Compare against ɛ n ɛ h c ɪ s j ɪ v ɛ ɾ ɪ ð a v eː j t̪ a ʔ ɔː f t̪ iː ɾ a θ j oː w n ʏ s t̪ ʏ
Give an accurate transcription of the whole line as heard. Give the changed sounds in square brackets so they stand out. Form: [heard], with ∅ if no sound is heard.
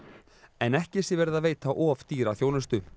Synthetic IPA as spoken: ɛ n ɛ h c ɪ s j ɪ v ɛ ɾ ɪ ð a v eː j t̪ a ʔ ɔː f t̪ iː ɾ a θ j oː w n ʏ s t̪ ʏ

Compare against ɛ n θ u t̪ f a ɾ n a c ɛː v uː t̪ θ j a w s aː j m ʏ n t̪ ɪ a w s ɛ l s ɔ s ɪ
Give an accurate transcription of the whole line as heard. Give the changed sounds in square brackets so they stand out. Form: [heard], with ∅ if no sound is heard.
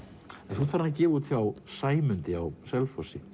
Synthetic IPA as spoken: ɛ n θ u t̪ f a ɾ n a c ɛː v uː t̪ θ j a w s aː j m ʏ n t̪ ɪ a w s ɛ l [f] ɔ s ɪ

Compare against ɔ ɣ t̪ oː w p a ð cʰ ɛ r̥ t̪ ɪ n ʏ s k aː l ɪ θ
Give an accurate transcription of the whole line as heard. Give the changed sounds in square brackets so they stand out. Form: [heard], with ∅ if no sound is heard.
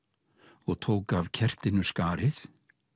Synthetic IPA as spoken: ɔ ɣ [t̪ʰ] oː w [k] a [v] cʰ ɛ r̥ t̪ ɪ n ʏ s k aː [ɾ] ɪ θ

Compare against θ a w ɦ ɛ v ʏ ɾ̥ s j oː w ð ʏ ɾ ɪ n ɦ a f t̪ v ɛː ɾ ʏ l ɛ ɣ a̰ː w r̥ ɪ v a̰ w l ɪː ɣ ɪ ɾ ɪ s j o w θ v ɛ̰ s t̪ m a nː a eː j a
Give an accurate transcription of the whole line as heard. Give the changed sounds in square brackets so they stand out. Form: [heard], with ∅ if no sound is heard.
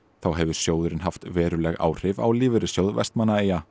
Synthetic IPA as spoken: θ a w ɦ ɛ v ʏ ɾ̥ s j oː w ð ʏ ɾ ɪ n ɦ a f t̪ v ɛː ɾ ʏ l ɛ ɣ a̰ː w r̥ ɪ v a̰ w l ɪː [v] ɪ ɾ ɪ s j o w [ð] v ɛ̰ s t̪ m a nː a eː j a

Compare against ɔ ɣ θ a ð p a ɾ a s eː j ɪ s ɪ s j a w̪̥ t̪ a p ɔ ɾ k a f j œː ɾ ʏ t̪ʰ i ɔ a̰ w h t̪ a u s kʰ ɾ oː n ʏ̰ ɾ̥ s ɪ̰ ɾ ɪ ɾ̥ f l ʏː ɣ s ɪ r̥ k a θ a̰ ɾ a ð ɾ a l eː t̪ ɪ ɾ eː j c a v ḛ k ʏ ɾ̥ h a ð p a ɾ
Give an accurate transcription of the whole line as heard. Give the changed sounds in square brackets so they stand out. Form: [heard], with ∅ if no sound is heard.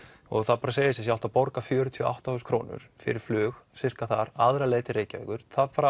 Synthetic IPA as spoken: ɔ ɣ θ a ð p a ɾ a s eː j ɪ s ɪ s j a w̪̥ t̪ a p ɔ ɾ k a f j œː ɾ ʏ t̪ʰ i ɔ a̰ w h t̪ a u s kʰ ɾ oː n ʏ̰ ɾ̥ [f] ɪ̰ ɾ ɪ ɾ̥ f l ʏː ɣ s ɪ r̥ k a θ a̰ ɾ a ð ɾ a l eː t̪ ɪ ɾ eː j c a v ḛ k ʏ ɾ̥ [θ] a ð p a ɾ

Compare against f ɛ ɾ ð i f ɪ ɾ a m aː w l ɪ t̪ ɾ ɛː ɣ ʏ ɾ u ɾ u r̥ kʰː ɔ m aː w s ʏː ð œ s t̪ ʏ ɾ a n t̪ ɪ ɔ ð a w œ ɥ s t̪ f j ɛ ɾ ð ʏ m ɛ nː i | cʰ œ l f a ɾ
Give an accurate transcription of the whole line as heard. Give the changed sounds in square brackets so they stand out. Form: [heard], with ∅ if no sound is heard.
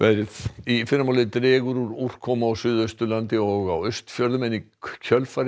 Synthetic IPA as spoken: [v] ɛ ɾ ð i f ɪ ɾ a m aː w l ɪ t̪ ɾ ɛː ɣ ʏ ɾ u ɾ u r̥ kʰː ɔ m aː w s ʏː ð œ s t̪ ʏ [l] a n t̪ ɪ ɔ [ɣ] a w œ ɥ s t̪ f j [œ] ɾ ð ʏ m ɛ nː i | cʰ œ l f a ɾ

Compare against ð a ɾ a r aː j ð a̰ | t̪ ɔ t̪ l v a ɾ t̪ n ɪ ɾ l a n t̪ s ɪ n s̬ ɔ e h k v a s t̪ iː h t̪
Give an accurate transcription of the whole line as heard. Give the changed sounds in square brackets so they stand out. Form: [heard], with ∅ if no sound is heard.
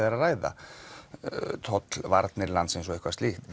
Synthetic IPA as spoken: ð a ɾ a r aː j ð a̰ | [t̪ʰ] ɔ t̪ l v a ɾ t̪ n ɪ ɾ l a n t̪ s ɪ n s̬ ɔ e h k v a s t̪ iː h t̪

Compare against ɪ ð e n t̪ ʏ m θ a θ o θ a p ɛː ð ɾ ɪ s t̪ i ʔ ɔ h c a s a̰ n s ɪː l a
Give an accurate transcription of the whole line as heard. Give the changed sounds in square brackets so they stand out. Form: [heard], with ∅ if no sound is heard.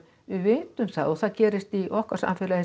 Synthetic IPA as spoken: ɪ [v] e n t̪ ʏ m θ a [ð] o θ a [c] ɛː [∅] ɾ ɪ s t̪ i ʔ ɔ h [k] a s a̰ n [f] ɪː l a

